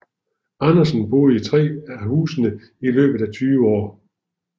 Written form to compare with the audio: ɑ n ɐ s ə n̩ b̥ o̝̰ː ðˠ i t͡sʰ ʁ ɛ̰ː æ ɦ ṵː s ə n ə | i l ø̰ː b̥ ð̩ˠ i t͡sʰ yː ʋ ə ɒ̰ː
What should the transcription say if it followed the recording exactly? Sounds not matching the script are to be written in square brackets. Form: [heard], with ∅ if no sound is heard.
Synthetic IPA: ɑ n ɐ s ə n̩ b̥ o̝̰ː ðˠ i t͡sʰ ʁ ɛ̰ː æ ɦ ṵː s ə n ə | i l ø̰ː b̥ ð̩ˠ [æ] t͡sʰ yː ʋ ə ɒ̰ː